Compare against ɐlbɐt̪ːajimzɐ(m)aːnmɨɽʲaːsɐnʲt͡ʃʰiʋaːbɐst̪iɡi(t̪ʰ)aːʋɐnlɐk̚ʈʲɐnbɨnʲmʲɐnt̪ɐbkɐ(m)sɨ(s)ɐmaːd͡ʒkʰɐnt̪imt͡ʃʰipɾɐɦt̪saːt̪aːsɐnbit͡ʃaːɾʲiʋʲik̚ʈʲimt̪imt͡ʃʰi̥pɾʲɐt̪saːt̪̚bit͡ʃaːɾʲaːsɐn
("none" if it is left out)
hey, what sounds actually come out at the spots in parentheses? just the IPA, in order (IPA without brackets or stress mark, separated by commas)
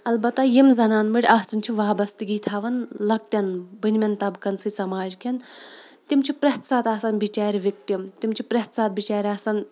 n, t̪ʰ, n, s